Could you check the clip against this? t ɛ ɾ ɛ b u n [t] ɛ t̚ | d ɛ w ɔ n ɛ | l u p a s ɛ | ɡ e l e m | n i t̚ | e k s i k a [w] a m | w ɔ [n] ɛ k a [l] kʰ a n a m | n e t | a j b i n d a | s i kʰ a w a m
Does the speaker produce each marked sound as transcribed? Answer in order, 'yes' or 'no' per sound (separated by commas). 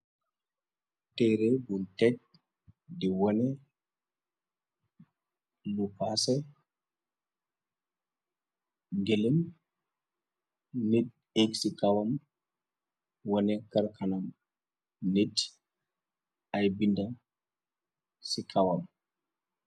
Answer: yes, yes, yes, no